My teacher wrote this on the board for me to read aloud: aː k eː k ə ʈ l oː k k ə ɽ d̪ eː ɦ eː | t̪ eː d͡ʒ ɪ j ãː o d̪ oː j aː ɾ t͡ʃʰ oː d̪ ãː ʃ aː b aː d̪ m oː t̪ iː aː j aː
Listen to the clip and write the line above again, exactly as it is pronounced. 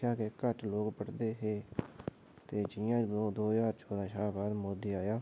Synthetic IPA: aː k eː k ə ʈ l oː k p ə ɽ d̪ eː ɦ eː | t̪ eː d͡ʒ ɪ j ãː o d̪ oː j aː ɾ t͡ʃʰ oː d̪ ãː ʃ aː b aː d̪ m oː d̪ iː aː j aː